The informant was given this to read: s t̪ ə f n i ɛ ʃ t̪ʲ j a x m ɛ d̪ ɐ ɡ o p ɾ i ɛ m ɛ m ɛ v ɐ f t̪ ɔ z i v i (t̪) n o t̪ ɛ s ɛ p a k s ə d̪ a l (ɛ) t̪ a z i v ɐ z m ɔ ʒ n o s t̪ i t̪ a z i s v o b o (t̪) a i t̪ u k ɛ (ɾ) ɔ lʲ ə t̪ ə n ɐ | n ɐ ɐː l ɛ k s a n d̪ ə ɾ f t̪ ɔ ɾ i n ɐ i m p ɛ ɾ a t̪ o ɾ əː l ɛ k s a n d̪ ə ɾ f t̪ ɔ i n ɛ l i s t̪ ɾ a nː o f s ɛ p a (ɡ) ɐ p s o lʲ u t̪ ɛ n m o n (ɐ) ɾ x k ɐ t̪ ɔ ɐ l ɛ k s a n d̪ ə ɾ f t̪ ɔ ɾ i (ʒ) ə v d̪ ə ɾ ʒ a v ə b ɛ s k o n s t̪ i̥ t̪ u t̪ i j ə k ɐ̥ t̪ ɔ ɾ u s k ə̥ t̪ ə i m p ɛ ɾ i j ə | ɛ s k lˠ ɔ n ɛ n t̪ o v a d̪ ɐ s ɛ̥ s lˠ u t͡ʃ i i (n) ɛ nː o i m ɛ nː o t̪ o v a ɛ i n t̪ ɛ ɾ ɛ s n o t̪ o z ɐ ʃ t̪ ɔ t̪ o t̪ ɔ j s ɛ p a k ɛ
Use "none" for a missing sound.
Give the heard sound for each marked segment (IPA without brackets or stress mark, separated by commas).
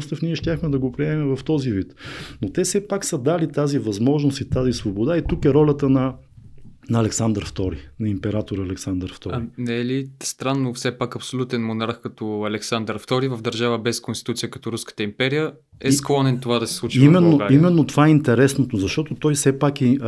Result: t̪, i, d̪, ɾ, k, a, v, m